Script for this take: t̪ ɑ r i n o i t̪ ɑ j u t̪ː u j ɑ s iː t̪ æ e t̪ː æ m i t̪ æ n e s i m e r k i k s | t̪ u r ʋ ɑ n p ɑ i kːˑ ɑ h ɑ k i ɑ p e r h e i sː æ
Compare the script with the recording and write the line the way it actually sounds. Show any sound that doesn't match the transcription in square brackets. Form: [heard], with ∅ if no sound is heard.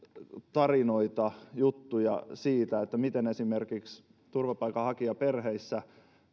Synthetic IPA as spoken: t̪ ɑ r i n o i t̪ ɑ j u t̪ː u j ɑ s iː t̪ æ e t̪ː æ m i t̪ [e] n e s i m e r k i k s | t̪ u r ʋ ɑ [∅] p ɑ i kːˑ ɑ h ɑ k i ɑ p e r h e i sː æ